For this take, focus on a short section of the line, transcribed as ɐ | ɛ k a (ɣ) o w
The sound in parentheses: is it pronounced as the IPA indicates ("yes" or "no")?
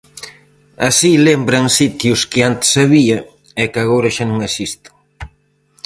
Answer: yes